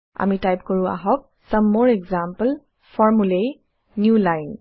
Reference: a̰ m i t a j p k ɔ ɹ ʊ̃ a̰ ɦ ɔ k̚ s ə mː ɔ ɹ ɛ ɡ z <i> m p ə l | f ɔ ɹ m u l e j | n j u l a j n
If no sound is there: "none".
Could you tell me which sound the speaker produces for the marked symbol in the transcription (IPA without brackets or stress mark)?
a